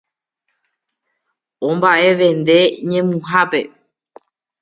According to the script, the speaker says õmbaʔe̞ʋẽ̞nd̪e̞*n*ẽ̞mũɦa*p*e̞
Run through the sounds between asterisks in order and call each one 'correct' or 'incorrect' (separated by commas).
incorrect, correct